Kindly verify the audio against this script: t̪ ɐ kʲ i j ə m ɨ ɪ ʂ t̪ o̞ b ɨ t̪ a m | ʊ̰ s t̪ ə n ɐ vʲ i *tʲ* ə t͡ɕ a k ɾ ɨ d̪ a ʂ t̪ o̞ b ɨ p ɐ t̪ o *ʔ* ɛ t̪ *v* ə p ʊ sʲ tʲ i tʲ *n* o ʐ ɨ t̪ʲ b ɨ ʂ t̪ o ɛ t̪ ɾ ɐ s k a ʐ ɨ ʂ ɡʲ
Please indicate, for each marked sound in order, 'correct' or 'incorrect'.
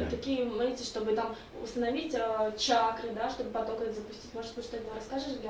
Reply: correct, incorrect: k, incorrect: z, incorrect: m

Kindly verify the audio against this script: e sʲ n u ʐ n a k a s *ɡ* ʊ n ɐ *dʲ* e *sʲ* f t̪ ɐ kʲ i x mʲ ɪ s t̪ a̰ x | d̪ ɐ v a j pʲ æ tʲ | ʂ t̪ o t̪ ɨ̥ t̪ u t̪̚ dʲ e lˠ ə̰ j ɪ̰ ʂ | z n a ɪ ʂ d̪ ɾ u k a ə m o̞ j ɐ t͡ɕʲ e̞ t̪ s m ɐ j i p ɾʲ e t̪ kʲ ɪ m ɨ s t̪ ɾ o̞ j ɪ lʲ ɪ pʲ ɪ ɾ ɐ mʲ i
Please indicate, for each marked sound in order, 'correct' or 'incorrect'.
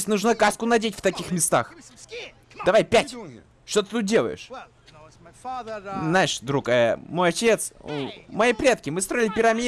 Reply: incorrect: k, correct, incorrect: tʲ

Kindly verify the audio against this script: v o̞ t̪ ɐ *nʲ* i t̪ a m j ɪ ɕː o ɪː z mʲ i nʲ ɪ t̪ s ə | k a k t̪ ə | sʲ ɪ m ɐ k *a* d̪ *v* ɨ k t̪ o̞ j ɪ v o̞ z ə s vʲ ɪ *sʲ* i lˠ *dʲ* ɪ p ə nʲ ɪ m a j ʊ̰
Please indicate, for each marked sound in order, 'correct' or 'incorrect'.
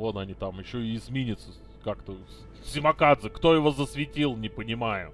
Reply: correct, correct, incorrect: z, incorrect: tʲ, incorrect: nʲ

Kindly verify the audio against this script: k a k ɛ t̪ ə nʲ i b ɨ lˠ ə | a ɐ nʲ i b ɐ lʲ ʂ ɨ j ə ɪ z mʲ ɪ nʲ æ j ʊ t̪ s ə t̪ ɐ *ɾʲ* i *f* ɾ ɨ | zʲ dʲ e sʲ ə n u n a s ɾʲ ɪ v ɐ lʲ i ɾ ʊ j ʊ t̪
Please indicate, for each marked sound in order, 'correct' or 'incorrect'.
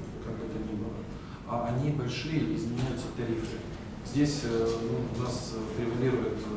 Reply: correct, correct

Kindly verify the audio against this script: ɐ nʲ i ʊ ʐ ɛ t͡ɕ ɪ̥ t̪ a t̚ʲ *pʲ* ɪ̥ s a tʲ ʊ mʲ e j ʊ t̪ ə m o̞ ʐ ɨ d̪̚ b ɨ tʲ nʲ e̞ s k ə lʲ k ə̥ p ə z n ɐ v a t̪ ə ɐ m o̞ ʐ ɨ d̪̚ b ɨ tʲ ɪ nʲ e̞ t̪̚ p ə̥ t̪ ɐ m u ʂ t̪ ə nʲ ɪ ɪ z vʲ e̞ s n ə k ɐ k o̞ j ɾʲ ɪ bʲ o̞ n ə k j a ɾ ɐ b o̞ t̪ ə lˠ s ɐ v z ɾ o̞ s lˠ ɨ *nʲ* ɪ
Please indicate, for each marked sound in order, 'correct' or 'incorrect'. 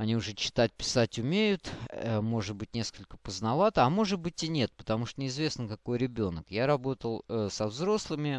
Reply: correct, incorrect: mʲ

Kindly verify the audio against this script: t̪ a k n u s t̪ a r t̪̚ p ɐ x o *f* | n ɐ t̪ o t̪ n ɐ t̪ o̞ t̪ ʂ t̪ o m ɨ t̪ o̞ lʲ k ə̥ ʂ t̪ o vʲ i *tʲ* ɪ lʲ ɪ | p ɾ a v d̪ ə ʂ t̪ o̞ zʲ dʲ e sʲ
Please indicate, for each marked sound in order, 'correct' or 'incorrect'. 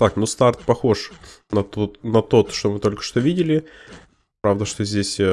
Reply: incorrect: ʂ, incorrect: dʲ

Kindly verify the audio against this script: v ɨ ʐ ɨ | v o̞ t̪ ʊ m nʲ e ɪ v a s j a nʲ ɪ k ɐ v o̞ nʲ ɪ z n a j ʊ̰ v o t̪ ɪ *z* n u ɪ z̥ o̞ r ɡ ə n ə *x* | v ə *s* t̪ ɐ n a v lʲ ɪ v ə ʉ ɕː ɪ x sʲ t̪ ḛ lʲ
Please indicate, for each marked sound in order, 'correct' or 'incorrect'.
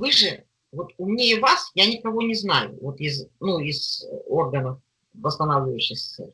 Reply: correct, incorrect: f, correct

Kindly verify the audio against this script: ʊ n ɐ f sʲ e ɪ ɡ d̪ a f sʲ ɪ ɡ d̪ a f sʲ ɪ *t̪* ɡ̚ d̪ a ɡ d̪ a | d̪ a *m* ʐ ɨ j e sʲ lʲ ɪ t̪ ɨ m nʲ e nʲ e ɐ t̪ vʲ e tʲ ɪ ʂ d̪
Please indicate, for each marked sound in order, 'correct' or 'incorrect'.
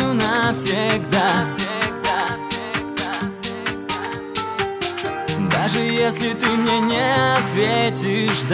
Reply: incorrect: none, incorrect: none

